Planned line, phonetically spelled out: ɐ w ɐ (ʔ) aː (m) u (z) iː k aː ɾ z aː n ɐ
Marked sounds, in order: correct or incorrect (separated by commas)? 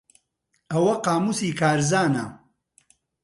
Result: incorrect, correct, incorrect